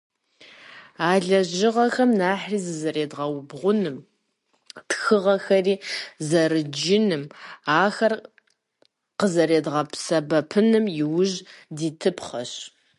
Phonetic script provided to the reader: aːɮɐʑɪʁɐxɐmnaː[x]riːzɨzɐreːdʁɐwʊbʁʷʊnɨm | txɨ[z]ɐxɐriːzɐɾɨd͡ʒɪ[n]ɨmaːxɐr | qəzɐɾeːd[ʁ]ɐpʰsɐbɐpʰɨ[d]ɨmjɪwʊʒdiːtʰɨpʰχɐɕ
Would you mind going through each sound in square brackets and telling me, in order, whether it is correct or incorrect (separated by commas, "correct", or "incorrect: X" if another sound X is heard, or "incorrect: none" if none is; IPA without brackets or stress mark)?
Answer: incorrect: ħ, incorrect: ʁ, correct, correct, incorrect: n